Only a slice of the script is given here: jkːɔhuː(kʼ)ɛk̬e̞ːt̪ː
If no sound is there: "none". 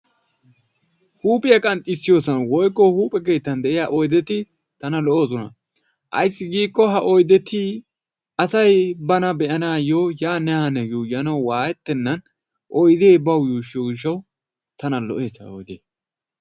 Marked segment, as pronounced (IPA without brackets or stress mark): pʼ